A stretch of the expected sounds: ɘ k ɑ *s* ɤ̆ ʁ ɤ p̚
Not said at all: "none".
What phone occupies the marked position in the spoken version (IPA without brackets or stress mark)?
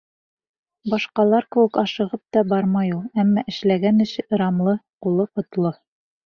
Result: ʃ